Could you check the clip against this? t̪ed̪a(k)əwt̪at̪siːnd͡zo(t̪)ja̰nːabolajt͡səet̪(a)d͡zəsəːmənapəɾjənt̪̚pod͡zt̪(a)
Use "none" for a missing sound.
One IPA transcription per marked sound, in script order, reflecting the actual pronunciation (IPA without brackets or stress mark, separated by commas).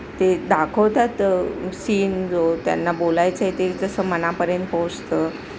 kʰ, t̪, e, ə